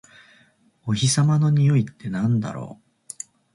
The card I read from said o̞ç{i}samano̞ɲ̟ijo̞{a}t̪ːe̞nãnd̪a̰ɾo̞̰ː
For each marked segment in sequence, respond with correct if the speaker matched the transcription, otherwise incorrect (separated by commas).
correct, incorrect